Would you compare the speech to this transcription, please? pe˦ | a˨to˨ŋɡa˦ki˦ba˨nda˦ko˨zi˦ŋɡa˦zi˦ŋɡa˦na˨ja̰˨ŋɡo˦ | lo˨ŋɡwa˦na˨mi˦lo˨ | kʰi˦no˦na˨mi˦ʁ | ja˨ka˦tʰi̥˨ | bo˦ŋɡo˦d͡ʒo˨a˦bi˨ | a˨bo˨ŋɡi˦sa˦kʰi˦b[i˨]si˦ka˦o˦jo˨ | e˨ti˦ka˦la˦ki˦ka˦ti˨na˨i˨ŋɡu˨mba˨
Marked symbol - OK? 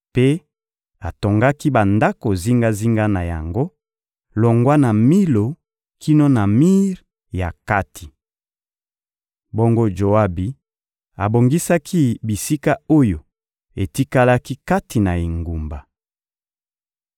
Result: yes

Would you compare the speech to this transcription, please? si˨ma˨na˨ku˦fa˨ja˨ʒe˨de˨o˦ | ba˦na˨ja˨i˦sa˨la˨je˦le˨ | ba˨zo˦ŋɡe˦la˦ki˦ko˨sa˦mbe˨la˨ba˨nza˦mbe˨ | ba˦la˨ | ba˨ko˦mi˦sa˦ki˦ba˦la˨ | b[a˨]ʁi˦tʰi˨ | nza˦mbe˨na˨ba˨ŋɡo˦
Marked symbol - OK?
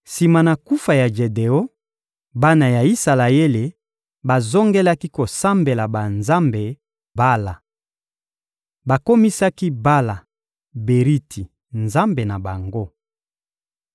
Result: no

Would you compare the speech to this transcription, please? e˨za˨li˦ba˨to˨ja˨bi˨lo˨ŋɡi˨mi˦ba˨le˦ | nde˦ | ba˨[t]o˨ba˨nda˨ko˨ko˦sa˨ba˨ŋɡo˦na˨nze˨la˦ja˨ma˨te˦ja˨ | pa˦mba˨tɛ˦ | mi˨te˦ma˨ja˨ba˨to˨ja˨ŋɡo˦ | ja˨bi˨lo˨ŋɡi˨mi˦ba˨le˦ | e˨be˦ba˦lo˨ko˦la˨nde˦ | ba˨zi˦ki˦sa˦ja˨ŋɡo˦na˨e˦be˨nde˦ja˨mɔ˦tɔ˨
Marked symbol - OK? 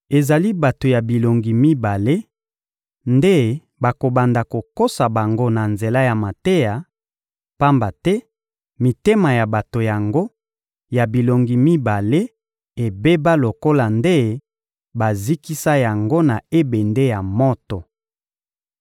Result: no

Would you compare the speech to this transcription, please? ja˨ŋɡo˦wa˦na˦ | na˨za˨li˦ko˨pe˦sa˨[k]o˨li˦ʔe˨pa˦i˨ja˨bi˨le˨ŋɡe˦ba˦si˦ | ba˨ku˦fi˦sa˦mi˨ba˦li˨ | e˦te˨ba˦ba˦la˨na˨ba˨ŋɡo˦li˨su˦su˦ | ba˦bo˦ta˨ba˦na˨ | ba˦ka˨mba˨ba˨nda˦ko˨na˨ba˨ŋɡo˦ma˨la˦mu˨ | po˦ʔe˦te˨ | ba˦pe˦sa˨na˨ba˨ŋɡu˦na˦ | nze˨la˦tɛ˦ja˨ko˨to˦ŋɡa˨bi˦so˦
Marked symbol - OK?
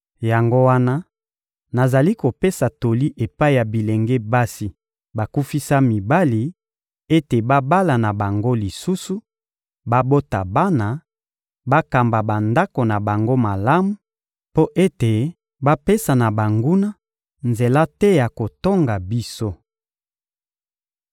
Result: no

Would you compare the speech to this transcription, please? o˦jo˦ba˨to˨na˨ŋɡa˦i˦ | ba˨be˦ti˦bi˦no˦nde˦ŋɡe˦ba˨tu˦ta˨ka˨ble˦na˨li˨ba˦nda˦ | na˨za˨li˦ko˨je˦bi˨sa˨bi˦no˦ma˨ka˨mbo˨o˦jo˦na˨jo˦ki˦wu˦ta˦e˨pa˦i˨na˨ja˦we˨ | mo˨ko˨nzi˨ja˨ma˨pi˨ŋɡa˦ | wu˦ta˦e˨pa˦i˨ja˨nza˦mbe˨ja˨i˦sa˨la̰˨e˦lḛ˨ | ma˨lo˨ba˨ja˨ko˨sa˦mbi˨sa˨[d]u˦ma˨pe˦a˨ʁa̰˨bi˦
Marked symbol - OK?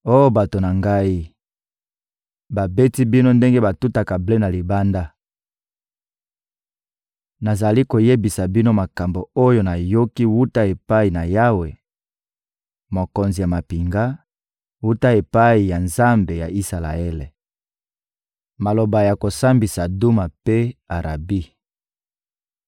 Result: yes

